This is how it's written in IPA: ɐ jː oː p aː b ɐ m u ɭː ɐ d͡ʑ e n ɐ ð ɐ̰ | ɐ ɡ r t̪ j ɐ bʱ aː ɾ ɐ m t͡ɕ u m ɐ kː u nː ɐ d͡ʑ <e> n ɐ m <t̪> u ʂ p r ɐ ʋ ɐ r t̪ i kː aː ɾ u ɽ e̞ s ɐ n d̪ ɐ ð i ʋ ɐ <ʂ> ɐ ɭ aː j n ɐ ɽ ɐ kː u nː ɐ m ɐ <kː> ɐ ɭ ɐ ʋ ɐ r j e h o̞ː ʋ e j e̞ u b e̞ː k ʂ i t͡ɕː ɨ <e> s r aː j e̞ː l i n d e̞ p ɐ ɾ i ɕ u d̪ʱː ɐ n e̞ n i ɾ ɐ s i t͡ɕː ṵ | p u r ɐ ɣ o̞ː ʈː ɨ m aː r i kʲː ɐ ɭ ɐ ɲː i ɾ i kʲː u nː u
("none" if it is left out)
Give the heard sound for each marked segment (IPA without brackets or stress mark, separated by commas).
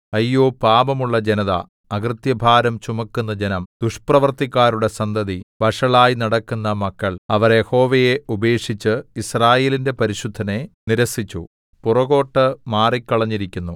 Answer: e, d̪, ʂ, kː, i